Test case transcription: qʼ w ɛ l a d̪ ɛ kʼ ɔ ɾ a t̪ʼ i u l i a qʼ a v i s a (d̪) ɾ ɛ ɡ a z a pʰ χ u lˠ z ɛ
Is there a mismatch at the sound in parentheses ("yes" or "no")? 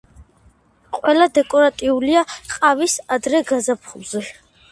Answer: no